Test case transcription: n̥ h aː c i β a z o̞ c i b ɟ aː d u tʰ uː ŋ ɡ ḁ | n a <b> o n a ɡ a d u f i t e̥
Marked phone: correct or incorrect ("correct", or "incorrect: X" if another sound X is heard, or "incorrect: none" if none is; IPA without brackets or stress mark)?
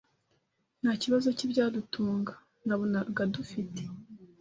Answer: incorrect: β